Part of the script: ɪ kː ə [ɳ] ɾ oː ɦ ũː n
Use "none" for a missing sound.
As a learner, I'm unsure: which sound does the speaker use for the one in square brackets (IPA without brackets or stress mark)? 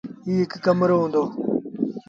m